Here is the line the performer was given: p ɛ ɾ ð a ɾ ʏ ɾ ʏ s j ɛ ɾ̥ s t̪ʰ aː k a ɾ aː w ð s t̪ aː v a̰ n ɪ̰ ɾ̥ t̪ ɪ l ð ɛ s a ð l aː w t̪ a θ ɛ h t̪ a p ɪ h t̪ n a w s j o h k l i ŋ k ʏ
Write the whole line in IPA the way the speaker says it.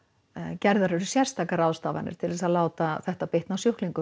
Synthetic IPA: c ɛ ɾ ð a ɾ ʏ ɾ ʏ s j ɛ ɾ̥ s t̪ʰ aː k a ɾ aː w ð s t̪ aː v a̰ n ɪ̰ ɾ̥ t̪ʰ ɪ l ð ɛ s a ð l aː w t̪ a θ ɛ h t̪ a p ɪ h t̪ n a w s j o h k l i ŋ k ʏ